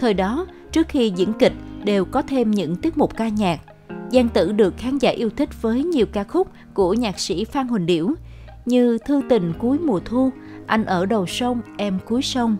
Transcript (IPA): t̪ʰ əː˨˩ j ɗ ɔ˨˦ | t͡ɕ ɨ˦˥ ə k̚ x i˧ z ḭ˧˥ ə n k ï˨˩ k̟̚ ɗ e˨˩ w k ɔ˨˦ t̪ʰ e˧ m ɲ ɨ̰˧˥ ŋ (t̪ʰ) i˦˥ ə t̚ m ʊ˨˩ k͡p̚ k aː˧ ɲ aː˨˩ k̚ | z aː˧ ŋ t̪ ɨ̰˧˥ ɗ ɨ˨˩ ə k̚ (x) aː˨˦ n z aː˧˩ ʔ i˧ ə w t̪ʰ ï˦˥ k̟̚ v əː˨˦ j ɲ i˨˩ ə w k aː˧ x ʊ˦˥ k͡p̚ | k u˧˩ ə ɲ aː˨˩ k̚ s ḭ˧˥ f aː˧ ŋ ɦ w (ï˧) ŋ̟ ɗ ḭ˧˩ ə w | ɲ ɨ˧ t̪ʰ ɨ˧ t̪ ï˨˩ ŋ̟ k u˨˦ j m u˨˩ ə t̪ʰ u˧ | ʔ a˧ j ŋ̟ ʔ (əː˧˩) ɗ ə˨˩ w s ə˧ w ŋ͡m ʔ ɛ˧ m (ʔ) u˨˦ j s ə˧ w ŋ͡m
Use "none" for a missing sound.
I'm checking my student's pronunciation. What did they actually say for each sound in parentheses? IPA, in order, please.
t̪, x, ï˨˩, əː˧˩, k

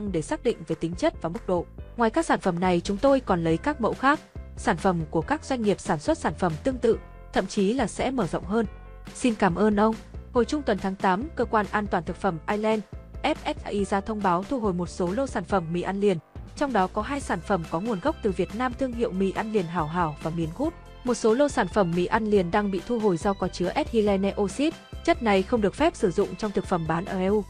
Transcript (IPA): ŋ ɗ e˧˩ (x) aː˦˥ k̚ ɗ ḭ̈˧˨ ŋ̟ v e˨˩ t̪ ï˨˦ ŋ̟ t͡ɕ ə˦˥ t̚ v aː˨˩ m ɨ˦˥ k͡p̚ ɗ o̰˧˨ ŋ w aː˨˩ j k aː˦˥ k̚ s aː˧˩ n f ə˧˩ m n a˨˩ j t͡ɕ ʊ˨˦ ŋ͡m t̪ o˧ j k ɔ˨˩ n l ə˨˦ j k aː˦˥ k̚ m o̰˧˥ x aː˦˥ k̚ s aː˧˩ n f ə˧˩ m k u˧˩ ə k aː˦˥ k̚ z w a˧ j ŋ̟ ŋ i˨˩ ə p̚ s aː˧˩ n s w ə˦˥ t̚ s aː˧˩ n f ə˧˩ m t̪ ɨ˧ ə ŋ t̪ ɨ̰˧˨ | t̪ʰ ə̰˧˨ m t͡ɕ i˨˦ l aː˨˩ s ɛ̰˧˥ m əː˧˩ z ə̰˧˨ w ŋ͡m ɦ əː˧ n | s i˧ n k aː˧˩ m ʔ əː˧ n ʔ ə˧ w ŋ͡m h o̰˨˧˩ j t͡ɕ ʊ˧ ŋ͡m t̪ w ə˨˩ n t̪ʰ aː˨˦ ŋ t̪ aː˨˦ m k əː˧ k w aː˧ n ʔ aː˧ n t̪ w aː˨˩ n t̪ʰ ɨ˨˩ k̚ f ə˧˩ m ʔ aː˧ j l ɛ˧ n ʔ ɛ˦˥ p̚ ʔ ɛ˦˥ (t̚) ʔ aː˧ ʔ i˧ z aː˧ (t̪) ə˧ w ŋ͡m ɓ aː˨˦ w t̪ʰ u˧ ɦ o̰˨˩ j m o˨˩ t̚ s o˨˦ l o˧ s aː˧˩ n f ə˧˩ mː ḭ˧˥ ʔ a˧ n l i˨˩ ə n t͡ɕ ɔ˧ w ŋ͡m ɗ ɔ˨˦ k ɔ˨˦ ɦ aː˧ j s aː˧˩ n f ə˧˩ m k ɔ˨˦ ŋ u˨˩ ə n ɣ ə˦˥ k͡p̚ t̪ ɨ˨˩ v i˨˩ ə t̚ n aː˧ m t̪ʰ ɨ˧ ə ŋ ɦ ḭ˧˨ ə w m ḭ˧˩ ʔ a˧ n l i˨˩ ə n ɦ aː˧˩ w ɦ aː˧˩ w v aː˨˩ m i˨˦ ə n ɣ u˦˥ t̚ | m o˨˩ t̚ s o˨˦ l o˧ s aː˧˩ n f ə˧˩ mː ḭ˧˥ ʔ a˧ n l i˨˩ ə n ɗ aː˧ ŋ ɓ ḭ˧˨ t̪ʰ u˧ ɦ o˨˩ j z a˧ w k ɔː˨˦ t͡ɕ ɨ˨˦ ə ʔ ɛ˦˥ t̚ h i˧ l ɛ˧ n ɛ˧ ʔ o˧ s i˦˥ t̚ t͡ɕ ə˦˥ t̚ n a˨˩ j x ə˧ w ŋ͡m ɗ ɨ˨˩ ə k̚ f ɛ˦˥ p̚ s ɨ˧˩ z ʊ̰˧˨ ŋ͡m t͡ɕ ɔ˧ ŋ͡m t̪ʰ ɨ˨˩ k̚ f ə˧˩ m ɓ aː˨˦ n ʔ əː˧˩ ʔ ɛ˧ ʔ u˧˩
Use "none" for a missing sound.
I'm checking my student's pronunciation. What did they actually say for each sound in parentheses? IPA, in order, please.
s, t̚, t̪ʰ

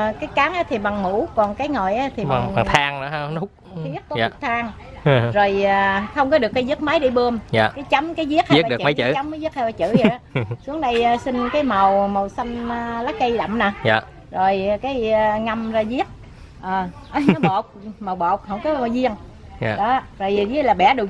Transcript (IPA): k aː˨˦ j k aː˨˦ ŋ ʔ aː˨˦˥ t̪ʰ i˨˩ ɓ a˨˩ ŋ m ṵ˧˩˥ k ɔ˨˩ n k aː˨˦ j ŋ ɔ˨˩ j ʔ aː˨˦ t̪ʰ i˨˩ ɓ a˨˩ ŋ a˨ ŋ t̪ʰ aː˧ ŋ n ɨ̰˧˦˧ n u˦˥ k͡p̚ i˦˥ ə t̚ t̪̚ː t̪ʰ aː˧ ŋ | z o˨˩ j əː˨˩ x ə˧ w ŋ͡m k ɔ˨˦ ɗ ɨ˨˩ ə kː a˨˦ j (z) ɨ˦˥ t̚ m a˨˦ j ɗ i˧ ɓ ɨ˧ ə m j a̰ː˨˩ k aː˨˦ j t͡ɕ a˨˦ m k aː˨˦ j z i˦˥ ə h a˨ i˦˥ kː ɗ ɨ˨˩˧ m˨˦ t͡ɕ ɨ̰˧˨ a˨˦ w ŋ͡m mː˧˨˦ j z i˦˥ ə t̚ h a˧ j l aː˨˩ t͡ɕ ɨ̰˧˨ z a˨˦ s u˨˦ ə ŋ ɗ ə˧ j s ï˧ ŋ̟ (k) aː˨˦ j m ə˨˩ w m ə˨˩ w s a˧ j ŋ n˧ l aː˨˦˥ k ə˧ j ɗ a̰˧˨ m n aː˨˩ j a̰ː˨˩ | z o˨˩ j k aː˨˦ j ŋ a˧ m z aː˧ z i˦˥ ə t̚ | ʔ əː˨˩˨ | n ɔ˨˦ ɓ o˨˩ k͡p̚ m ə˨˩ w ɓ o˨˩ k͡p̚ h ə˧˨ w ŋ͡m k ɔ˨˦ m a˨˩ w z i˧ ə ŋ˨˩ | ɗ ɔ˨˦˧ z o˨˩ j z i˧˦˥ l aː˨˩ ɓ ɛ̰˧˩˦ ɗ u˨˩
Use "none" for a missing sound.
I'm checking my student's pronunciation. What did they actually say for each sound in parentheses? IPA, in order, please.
z, k

